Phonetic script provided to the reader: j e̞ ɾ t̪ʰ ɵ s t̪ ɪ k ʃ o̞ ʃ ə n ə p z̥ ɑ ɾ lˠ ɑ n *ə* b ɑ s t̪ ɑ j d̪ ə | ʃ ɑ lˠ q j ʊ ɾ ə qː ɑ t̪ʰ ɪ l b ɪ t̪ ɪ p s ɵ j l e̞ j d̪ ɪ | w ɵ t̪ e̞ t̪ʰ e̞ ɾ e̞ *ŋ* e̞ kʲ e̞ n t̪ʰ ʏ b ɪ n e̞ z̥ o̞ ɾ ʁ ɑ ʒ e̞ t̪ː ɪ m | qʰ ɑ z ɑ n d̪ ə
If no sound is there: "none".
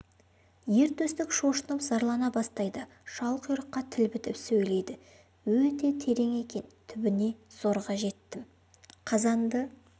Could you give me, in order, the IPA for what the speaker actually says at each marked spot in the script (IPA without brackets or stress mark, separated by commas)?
ɑ, ŋ